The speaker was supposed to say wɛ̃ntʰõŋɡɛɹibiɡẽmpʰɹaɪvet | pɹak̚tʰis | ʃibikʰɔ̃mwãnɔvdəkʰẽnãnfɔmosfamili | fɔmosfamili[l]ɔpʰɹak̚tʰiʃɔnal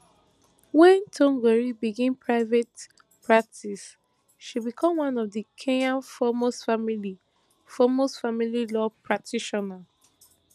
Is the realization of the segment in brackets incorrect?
no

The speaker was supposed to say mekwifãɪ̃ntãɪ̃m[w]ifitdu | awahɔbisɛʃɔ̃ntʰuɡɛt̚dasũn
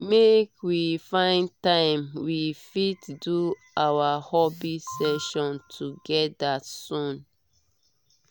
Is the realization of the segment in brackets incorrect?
no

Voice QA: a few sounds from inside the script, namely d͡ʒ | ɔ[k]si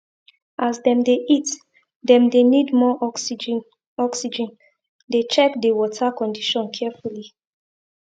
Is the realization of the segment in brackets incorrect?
no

